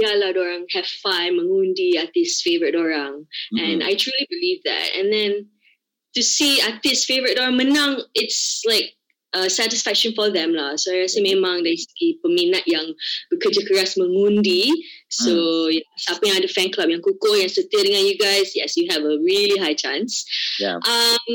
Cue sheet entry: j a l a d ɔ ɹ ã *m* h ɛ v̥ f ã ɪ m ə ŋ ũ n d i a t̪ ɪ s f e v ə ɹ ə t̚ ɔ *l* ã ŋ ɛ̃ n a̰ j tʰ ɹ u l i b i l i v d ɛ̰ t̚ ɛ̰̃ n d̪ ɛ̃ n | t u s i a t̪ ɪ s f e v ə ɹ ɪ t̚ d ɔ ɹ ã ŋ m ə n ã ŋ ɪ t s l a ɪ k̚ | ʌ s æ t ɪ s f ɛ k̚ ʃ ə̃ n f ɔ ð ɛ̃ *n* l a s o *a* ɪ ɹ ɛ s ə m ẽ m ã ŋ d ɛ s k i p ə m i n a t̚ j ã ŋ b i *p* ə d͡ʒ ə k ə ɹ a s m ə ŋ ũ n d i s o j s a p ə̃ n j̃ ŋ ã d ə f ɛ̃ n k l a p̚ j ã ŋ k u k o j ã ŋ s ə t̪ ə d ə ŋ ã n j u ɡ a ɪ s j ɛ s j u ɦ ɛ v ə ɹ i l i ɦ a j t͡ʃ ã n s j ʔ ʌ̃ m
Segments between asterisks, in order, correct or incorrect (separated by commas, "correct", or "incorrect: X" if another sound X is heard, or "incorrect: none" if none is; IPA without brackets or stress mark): incorrect: ŋ, incorrect: ɹ, incorrect: m, correct, incorrect: k